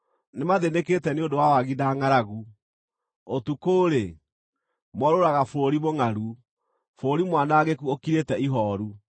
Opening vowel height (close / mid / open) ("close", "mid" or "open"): mid